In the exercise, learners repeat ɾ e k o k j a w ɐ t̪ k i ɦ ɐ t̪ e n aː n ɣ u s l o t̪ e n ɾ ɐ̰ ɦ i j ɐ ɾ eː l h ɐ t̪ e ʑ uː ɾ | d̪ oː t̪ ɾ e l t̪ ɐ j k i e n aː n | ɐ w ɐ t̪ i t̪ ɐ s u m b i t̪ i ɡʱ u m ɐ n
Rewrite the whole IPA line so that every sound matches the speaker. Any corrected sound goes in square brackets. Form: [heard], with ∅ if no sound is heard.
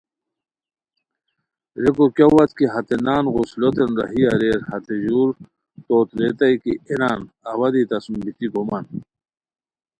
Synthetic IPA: ɾ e k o k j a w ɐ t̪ k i ɦ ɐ t̪ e n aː n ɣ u s l o t̪ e n ɾ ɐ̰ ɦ i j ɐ ɾ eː [ɾ] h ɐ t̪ e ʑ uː ɾ | [t̪] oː t̪ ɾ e [∅] t̪ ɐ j k i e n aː n | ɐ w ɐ [d̪] i t̪ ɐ s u m b i t̪ i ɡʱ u m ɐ n